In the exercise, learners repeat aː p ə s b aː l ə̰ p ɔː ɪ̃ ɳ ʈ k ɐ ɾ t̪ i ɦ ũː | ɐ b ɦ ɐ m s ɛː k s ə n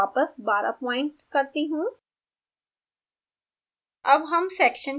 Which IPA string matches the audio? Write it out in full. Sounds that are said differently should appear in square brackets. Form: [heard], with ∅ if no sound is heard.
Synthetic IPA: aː p ə s b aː [ɾ] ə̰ p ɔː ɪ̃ ɳ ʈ k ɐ ɾ t̪ i ɦ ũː | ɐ b ɦ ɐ m s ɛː k [ʃ] ə n